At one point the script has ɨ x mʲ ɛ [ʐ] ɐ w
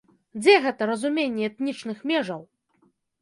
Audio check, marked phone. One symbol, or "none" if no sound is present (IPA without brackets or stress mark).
ʐ